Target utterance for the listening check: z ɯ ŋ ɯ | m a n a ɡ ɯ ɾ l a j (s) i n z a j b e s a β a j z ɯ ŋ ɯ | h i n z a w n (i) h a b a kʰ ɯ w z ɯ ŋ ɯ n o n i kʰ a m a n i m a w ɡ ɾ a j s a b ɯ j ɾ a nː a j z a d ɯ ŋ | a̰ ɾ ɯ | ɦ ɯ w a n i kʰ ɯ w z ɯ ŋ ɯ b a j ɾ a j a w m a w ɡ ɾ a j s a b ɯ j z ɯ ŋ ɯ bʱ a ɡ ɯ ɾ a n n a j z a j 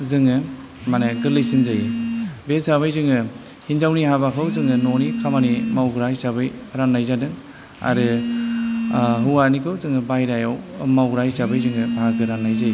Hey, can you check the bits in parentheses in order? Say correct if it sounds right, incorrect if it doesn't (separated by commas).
correct, correct